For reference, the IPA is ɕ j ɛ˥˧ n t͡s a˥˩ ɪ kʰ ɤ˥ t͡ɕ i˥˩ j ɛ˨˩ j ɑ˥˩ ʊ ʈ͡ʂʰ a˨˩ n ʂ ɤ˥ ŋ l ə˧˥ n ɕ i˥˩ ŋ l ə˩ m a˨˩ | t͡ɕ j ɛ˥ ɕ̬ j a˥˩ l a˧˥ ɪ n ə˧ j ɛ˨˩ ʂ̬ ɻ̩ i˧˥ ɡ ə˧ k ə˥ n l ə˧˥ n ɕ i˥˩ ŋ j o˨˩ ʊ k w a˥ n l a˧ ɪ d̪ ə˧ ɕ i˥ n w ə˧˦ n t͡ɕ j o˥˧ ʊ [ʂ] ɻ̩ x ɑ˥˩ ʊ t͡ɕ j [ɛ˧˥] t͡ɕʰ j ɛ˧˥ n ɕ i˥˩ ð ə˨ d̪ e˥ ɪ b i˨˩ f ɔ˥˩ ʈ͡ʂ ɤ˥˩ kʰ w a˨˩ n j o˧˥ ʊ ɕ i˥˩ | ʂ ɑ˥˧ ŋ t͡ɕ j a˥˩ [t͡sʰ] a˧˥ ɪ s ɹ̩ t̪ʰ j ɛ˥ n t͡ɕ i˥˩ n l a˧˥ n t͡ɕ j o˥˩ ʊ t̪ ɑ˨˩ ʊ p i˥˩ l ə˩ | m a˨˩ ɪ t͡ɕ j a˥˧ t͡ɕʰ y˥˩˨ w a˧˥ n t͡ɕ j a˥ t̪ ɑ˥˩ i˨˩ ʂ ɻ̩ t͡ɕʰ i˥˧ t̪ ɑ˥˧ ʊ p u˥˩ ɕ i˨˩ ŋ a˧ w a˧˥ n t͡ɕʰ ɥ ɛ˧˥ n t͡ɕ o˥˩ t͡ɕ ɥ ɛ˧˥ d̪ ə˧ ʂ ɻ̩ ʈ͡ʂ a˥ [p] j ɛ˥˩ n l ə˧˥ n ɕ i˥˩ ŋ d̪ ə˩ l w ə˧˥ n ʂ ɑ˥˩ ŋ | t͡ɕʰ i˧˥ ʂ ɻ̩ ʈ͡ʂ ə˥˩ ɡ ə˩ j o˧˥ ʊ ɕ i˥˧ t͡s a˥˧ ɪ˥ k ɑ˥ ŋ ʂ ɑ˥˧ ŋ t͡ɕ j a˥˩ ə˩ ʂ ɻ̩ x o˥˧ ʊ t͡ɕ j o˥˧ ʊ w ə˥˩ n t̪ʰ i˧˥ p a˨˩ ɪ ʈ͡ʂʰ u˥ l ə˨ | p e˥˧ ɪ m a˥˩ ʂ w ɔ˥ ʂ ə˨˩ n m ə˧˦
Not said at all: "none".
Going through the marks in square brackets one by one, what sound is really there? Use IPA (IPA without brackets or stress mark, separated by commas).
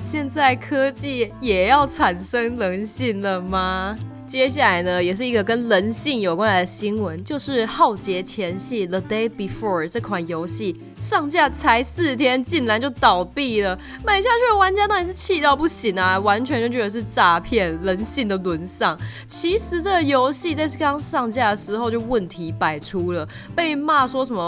ʂ, ɛ˧˥, t͡sʰ, pʰ